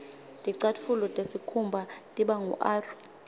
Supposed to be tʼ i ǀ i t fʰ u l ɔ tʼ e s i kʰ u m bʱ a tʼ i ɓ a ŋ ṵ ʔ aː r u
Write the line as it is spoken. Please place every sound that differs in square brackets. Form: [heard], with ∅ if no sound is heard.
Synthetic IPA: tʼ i ǀ [a] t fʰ u l ɔ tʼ e s i kʰ u m bʱ a tʼ i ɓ a ŋ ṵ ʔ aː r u